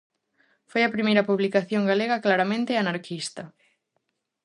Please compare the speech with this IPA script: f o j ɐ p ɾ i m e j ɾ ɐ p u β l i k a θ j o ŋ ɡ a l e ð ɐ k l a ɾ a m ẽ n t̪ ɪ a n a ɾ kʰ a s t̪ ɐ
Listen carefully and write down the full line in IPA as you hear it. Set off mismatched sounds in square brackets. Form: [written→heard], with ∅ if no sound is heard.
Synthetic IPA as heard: f o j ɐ p ɾ i m e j ɾ ɐ p u β l i k a θ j o ŋ ɡ a l e [ð→ɣ] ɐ k l a ɾ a m ẽ n t̪ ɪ a n a ɾ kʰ [a→i] s t̪ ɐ